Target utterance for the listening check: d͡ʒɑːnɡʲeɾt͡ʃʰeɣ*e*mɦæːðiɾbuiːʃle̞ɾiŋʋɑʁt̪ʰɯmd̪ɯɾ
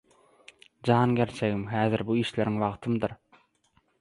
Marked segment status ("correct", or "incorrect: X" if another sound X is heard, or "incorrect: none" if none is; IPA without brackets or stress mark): incorrect: i